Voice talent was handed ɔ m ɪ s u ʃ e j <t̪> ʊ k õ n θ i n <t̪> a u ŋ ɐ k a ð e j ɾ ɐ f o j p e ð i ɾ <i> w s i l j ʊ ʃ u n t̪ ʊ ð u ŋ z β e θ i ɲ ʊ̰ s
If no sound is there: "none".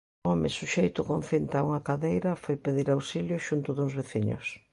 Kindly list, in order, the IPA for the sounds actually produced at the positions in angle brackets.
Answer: t̪, t̪, a

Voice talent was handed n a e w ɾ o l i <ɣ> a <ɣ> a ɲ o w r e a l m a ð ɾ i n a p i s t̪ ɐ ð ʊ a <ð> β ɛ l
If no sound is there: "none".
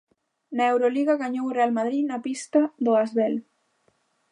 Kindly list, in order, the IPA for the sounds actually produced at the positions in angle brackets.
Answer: ɣ, ɣ, z

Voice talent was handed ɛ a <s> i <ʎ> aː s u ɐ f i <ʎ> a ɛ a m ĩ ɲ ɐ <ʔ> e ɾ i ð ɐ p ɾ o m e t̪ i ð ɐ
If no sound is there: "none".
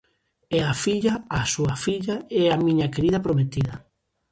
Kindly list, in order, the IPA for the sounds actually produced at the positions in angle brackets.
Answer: f, ʎ, ʎ, k

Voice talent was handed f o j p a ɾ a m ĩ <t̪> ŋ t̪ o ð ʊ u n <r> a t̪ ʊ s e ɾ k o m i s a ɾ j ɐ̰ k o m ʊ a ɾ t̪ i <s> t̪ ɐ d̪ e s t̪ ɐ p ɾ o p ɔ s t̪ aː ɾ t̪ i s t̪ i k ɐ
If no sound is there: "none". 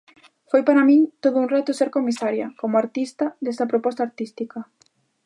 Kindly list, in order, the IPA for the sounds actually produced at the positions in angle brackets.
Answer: none, r, s

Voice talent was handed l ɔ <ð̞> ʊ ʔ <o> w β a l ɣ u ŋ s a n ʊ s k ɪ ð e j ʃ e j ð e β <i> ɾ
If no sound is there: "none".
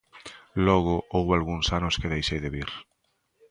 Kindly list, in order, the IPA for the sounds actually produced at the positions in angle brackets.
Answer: ɣ̞, o, i

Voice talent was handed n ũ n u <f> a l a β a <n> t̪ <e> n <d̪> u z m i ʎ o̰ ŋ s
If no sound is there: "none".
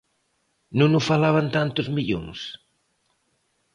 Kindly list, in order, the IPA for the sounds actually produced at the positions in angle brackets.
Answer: f, n, a, t̪

